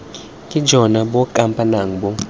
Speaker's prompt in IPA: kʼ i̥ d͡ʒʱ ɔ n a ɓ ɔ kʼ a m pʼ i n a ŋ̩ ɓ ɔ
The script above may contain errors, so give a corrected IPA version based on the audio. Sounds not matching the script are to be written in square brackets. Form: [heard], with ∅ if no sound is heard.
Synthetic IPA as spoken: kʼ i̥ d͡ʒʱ ɔ n a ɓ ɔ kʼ a m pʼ [a] n a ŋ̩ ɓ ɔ